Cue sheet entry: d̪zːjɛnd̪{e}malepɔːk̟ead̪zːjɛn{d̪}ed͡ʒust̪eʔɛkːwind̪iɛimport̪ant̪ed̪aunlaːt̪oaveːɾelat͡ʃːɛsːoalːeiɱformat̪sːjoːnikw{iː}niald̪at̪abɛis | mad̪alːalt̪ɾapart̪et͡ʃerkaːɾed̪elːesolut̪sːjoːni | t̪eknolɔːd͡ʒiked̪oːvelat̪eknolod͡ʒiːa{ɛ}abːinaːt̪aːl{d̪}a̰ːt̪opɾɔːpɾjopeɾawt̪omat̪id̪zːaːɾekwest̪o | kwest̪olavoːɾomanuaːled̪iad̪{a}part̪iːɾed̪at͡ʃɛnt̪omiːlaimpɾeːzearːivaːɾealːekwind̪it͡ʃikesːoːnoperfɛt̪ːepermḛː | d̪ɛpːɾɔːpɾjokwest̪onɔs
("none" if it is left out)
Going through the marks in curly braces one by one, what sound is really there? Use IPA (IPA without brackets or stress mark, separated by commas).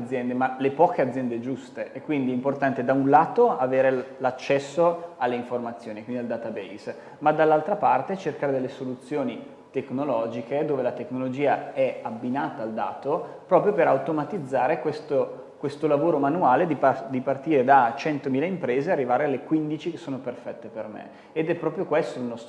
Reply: e, d̪, i, ɛ, d̪, i